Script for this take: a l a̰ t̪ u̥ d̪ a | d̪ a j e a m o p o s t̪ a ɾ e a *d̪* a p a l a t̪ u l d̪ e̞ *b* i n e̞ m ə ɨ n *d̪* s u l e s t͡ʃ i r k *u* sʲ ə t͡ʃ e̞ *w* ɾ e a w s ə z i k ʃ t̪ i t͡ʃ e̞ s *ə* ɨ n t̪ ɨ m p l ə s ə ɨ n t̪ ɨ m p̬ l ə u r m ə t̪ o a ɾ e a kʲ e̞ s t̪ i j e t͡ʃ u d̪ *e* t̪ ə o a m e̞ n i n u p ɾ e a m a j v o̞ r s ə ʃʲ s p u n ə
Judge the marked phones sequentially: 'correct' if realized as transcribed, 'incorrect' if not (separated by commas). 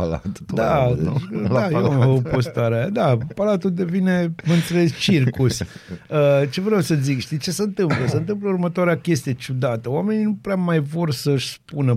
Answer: correct, incorrect, incorrect, correct, incorrect, correct, incorrect